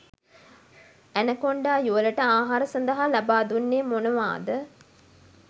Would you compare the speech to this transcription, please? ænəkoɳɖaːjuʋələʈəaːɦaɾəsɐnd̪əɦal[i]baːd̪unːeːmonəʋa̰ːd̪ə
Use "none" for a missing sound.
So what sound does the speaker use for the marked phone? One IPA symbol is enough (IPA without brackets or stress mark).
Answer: a